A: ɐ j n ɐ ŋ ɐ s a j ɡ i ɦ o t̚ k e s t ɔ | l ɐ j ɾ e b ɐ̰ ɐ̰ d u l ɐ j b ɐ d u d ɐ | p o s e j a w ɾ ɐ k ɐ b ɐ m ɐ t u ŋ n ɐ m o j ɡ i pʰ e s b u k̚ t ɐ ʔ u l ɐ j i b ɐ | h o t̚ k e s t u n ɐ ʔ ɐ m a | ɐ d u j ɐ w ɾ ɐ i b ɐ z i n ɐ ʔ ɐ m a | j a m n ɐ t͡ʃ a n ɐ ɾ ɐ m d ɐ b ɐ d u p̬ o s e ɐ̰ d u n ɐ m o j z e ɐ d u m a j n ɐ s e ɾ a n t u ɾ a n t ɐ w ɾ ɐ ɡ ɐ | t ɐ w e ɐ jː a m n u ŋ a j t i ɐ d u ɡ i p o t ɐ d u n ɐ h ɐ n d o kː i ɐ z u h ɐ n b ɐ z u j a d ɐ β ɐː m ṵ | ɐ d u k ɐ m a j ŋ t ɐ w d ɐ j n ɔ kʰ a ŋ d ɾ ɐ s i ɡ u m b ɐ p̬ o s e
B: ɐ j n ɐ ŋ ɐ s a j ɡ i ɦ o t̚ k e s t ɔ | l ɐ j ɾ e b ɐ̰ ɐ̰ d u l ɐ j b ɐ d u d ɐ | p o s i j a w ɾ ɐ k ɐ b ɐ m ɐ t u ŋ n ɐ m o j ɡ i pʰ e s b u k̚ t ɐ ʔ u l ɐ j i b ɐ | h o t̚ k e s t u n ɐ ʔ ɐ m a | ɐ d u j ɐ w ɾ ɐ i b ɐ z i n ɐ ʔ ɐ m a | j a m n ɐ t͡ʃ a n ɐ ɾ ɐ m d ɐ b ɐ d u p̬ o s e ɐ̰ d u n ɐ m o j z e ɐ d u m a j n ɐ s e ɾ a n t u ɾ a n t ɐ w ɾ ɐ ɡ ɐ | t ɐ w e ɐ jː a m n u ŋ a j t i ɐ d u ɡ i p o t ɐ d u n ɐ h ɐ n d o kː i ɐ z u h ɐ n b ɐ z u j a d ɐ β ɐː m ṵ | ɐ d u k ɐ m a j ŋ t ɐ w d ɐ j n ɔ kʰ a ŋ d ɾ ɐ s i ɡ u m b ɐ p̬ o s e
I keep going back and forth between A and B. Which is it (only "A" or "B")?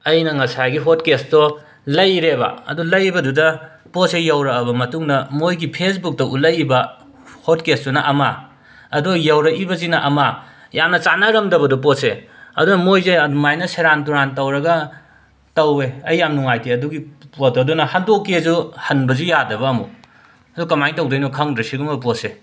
A